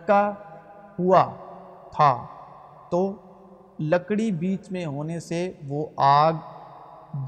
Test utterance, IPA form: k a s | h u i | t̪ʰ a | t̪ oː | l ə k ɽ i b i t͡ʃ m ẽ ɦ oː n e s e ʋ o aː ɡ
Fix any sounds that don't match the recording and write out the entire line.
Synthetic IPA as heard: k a | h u a | t̪ʰ a | t̪ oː | l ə k ɽ i b iː t͡ʃ m ẽ ɦ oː n e s e ʋ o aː ɡ